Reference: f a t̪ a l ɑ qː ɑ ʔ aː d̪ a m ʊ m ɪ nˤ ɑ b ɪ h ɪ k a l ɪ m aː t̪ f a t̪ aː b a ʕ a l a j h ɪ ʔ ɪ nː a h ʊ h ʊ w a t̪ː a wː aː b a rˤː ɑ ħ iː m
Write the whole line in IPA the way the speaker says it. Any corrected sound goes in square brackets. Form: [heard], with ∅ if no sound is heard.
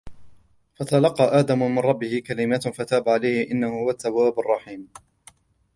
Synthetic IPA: f a t̪ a l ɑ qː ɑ ʔ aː d̪ a m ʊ m ɪ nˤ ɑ [bː] ɪ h ɪ k a l ɪ m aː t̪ f a t̪ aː b a ʕ a l a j h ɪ ʔ ɪ nː a h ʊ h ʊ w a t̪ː a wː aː b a rˤː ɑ ħ iː m